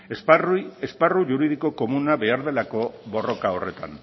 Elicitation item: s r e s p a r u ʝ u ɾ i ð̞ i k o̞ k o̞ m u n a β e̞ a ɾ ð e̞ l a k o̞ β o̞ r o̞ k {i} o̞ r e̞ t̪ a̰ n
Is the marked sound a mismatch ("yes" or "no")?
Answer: yes